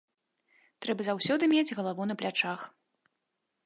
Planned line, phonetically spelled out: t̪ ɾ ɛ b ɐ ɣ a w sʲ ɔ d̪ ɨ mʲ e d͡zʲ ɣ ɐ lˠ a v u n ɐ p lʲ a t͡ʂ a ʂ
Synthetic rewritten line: t̪ ɾ ɛ b ɐ z a w sʲ ɔ d̪ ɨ mʲ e d͡zʲ ɣ ɐ lˠ a v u n ɐ p lʲ a t͡ʂ a x